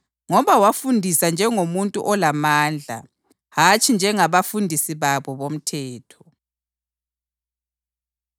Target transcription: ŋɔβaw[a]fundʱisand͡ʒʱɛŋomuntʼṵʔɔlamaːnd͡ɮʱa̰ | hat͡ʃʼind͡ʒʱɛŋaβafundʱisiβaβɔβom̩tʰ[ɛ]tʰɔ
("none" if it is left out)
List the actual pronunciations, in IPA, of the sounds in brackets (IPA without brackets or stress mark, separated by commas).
a, ɛː